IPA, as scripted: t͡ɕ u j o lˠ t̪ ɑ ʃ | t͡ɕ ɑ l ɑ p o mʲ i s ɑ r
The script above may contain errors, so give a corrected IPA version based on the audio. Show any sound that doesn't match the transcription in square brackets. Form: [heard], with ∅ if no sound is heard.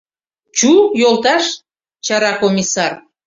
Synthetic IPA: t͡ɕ u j o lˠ t̪ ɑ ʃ | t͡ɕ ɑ [ɾ] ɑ [k] o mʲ i s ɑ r